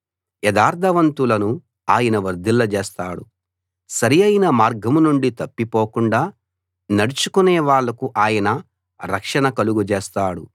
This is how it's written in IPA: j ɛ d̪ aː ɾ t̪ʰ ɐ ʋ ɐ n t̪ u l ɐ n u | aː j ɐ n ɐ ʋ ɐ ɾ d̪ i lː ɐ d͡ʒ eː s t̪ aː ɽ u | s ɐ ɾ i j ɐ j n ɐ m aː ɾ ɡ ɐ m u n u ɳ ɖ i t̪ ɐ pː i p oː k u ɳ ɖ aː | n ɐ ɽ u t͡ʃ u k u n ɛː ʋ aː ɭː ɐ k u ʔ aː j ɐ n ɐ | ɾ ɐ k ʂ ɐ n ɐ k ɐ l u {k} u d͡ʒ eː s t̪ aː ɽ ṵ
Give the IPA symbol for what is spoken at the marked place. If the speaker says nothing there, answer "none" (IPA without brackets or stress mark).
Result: ɡ